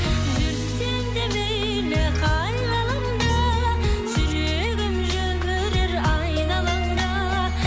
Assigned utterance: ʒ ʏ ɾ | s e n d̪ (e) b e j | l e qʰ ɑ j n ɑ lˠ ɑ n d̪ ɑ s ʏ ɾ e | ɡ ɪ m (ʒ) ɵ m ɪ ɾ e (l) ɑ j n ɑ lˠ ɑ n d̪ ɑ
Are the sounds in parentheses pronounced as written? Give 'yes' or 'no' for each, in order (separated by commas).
yes, yes, no